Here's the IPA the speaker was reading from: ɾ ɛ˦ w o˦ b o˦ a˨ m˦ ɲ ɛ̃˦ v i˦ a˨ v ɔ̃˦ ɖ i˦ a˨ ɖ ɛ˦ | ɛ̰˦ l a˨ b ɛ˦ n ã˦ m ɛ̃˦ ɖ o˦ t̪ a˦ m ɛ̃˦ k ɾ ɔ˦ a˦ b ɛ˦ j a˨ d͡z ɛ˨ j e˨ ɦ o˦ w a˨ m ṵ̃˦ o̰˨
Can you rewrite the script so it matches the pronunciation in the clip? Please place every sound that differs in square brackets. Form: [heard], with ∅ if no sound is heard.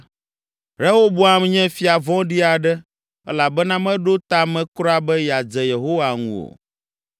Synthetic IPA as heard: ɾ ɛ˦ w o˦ b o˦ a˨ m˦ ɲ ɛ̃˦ [f] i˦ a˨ v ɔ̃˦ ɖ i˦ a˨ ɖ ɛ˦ | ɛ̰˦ l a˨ b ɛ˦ n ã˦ m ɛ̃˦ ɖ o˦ t̪ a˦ m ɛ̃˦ k ɾ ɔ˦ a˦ b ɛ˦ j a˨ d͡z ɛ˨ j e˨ ɦ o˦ w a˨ [ŋ] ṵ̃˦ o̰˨

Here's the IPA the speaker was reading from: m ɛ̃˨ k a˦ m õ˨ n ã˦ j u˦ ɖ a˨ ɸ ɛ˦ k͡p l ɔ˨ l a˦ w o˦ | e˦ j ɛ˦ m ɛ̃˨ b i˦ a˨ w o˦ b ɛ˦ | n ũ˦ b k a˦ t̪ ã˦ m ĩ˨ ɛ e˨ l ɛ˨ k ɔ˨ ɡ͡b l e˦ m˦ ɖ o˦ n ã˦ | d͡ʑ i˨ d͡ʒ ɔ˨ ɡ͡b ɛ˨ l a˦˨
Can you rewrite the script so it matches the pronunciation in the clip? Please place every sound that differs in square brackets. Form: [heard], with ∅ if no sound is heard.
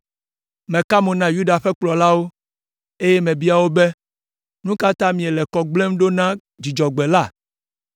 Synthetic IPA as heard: m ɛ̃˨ k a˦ m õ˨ n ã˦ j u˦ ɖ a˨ ɸ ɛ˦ k͡p l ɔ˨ l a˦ w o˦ | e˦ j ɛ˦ m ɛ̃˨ b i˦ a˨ w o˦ b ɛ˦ | n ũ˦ [∅] k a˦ t̪ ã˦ m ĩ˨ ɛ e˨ l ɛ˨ k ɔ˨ ɡ͡b l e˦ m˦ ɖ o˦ n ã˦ | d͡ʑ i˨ d͡ʒ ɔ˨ ɡ͡b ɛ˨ l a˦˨

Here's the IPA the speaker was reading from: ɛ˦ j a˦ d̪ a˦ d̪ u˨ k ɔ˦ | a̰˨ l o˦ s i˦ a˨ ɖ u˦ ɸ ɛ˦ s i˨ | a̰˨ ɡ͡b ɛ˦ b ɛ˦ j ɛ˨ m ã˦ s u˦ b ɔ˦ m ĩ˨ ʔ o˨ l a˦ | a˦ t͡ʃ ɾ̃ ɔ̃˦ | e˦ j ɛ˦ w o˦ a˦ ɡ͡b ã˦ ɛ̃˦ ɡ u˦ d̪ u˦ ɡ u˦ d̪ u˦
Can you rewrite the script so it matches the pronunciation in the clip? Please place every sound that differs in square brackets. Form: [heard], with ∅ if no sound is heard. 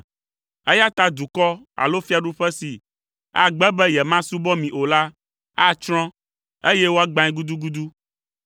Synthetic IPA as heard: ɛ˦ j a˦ [t̪] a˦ d̪ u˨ k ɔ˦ | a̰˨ l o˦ [f] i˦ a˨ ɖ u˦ ɸ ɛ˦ s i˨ | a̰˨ ɡ͡b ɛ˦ b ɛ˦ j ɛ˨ m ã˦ s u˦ b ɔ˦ m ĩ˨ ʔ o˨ l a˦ | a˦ t͡ʃ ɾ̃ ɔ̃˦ | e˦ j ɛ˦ w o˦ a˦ ɡ͡b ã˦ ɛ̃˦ ɡ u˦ d̪ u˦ ɡ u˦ d̪ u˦

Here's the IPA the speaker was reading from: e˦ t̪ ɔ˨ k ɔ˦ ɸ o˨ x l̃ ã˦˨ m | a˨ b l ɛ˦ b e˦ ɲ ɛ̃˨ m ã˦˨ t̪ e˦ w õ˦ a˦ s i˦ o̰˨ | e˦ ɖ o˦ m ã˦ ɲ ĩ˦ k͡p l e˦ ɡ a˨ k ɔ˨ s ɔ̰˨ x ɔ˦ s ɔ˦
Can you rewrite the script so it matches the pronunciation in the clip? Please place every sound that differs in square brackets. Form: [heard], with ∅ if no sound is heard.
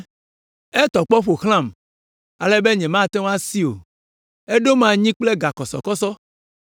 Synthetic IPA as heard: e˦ t̪ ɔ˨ [k͡p] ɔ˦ ɸ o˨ x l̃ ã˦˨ m | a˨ [∅] l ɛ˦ b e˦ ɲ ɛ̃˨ m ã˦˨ t̪ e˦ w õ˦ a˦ s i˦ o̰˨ | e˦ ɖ o˦ m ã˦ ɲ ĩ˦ k͡p l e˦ ɡ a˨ k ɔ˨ s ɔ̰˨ [k] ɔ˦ s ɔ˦

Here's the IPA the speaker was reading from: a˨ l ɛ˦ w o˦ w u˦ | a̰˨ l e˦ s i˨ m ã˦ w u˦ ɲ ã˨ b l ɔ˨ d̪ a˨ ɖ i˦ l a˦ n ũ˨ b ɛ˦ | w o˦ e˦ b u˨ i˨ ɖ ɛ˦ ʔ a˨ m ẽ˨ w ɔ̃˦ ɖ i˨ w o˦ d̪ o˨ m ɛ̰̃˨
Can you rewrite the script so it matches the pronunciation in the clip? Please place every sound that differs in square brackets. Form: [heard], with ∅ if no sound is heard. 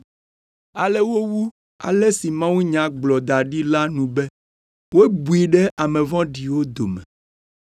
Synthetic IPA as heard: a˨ l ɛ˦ w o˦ w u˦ | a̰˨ l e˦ s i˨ m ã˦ w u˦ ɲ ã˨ [ɡ͡b] l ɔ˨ d̪ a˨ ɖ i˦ l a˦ n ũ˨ b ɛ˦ | w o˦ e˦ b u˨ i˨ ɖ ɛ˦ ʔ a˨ m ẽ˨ [v] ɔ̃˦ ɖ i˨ w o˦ d̪ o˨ m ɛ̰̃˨

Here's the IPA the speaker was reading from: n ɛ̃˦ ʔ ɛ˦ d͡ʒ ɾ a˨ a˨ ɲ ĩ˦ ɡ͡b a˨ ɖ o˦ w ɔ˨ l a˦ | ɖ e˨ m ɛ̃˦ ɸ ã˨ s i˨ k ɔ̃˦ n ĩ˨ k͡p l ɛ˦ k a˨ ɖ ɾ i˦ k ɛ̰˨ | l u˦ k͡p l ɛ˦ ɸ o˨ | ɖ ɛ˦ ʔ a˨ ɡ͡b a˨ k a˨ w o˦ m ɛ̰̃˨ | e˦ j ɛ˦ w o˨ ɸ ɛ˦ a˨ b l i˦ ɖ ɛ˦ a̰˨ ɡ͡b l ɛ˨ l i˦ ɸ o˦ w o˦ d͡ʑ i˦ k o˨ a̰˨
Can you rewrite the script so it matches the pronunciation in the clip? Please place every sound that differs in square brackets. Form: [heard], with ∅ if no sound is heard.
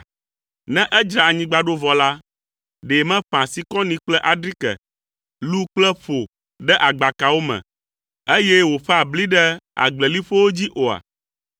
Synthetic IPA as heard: n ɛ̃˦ ʔ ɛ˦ d͡ʒ ɾ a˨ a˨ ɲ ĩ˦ ɡ͡b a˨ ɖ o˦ [v] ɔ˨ l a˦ | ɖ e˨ m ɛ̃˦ ɸ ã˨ s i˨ k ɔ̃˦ n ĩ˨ k͡p l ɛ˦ [ʔ] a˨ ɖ ɾ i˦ k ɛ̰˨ | l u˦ k͡p l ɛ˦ ɸ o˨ | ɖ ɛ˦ ʔ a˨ ɡ͡b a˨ k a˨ w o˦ m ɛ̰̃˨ | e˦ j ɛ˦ w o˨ ɸ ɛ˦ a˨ b l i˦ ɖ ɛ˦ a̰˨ ɡ͡b l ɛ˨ l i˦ ɸ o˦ w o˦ d͡ʑ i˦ [ʔ] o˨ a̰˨

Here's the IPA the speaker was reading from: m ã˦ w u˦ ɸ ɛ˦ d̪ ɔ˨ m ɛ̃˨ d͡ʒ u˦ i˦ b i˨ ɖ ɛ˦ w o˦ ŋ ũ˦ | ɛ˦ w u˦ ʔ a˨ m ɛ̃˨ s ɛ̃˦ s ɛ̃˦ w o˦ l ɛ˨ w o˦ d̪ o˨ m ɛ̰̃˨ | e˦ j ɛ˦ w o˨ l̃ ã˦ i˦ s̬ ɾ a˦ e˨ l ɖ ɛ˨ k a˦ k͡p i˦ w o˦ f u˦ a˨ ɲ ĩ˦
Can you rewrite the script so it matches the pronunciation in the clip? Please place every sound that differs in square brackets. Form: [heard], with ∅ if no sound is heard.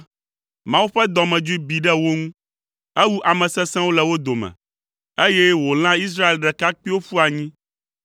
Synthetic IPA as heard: m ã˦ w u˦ ɸ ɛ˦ d̪ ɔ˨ m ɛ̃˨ d͡ʒ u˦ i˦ b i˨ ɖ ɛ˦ w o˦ ŋ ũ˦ | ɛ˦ w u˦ ʔ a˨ m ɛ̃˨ s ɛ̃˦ s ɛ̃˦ w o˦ l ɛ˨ w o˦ d̪ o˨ m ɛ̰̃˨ | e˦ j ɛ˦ w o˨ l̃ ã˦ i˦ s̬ ɾ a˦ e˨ l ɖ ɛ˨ k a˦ k͡p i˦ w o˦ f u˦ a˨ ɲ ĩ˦

